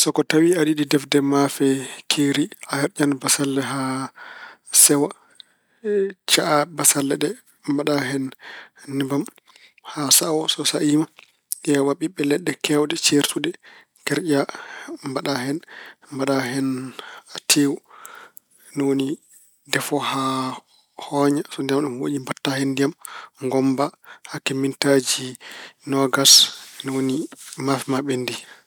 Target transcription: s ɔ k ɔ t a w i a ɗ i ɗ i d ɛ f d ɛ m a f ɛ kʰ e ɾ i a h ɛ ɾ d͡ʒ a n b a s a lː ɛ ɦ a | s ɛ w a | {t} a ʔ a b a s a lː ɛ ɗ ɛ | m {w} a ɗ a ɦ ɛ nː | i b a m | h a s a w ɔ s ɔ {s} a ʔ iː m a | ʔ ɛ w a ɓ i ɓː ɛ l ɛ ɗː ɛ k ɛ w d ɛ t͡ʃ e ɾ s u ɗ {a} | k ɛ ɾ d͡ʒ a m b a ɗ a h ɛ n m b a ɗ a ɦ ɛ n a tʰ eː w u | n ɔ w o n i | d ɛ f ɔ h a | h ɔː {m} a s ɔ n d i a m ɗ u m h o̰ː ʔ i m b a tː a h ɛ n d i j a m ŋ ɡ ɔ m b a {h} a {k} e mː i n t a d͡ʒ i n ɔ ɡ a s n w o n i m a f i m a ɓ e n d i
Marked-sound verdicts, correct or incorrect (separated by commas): incorrect, incorrect, correct, incorrect, incorrect, correct, correct